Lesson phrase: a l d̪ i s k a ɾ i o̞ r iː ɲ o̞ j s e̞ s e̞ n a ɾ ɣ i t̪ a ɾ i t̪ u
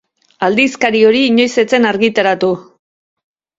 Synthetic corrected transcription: a l d̪ i s k a ɾ i o̞ ɾ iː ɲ o̞ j s e̞ t͡s e̞ n a ɾ ɣ i t̪ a ɾ a t̪ u